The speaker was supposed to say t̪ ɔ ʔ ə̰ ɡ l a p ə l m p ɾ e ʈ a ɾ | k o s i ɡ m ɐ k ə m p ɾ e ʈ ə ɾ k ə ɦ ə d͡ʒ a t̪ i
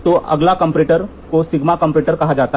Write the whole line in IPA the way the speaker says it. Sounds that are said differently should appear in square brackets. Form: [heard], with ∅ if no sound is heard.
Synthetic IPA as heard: t̪ [o] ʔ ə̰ ɡ l a [k] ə [∅] m p ɾ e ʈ [ə] ɾ | k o s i ɡ m [a] k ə m p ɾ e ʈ ə ɾ k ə ɦ [a] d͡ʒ a t̪ [a]